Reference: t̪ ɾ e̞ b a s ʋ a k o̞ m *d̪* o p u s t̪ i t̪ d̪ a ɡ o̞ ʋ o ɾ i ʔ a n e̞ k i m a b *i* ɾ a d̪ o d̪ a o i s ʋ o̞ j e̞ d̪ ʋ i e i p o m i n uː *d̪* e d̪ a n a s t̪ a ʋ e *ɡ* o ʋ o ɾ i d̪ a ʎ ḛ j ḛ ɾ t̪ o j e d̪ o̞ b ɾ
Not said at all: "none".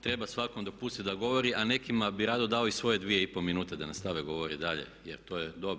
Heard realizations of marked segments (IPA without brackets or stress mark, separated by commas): d̪, i, t̪, ɡ